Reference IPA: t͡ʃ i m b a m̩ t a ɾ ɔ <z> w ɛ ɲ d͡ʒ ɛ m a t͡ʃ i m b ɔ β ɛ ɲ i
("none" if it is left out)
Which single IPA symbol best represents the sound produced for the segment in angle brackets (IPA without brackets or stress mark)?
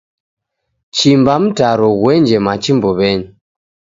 ɣ